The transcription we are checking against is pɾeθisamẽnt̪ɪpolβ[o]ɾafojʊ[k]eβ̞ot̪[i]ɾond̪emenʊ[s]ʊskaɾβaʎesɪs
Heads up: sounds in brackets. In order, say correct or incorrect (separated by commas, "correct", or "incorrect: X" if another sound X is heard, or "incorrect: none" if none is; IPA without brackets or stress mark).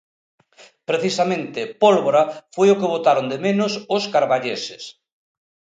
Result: correct, correct, incorrect: a, correct